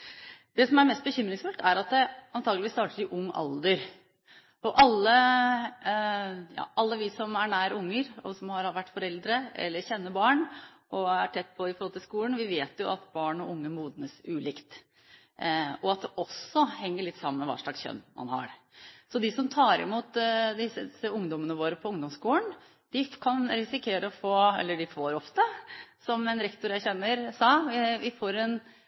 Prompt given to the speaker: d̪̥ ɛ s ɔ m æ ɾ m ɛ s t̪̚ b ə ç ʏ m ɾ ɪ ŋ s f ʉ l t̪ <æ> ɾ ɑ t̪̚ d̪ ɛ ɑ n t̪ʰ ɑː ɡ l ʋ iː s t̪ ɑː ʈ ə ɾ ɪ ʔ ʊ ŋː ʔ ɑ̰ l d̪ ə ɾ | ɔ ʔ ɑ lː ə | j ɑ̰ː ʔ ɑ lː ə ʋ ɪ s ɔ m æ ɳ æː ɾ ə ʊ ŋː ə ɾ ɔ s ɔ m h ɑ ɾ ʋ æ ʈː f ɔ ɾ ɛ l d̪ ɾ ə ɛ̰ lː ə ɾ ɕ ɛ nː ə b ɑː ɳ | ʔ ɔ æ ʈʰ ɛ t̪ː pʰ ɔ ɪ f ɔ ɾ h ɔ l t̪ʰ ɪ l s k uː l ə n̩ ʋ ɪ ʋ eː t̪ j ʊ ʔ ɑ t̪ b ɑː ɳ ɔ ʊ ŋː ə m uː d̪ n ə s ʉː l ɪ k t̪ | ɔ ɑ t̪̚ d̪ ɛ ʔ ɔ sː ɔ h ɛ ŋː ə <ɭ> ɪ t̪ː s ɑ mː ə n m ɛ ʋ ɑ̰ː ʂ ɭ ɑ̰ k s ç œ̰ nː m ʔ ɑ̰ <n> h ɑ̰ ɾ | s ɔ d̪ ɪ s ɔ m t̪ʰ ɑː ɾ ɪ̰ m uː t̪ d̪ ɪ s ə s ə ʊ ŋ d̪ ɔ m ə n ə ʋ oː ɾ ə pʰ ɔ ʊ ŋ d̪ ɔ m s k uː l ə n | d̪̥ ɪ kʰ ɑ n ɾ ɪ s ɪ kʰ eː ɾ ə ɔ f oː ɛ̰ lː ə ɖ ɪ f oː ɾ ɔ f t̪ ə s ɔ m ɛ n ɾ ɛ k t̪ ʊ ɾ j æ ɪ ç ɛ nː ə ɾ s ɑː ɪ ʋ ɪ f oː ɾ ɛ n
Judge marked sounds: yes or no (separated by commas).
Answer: yes, yes, yes